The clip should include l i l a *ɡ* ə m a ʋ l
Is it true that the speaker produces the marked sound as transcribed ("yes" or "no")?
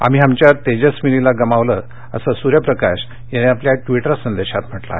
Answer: yes